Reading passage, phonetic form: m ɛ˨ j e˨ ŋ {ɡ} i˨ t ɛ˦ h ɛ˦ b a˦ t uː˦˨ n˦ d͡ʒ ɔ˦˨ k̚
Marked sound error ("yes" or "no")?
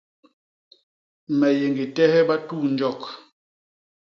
no